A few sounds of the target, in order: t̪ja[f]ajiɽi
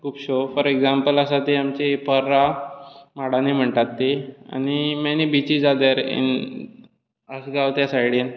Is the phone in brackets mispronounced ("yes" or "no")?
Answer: yes